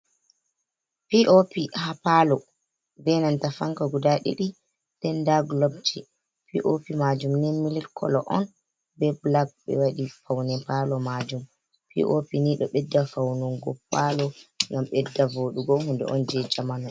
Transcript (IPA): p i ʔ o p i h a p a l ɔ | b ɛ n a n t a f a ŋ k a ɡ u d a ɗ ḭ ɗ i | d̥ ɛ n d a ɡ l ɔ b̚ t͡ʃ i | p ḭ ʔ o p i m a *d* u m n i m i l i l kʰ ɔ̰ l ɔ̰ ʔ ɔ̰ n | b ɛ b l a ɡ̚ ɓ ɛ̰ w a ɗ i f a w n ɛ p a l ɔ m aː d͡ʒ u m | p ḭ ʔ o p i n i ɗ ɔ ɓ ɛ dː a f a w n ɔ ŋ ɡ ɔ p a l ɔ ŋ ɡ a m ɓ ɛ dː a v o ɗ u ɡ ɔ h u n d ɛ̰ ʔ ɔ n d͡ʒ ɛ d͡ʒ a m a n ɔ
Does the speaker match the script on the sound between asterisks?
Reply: no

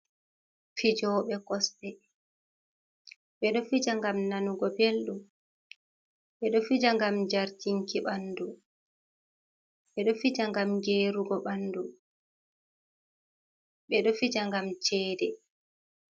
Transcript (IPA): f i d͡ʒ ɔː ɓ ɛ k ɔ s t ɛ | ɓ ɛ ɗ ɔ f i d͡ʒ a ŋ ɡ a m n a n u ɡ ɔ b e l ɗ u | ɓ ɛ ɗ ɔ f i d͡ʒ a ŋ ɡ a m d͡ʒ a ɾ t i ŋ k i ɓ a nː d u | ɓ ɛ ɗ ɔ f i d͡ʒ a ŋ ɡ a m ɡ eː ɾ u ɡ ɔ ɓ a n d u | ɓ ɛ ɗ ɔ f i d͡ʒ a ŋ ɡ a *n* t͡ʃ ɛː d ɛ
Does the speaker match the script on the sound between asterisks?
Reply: no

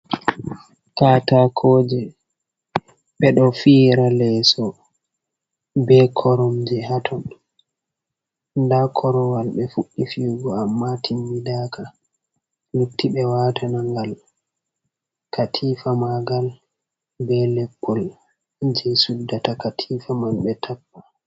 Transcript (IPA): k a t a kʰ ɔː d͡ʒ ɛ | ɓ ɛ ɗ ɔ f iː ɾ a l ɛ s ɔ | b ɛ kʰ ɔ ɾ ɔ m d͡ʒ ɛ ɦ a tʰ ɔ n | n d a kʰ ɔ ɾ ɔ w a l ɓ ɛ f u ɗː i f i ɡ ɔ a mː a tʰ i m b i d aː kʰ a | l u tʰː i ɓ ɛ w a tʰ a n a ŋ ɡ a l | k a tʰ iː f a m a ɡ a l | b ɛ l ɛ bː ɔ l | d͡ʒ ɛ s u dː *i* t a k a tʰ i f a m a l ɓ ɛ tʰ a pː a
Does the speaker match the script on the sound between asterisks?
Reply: no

